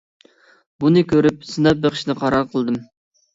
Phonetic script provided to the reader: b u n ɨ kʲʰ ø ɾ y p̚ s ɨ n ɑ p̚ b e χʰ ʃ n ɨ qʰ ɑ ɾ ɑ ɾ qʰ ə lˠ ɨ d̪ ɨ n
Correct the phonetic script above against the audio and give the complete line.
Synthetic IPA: b u n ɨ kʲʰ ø ɾ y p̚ s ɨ n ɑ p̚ b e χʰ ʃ n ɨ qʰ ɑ ɾ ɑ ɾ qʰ ə lˠ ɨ d̪ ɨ m